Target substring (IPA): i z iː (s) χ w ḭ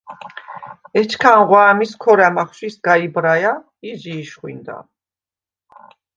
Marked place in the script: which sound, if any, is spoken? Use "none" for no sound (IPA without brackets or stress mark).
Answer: ʃ